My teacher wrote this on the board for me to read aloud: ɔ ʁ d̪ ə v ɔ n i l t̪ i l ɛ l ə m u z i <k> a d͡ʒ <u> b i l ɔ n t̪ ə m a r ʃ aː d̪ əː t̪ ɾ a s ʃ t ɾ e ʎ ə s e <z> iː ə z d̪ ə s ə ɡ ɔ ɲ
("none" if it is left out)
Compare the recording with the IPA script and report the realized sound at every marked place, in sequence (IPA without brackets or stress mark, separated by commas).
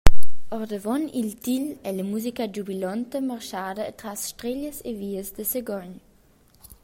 k, u, v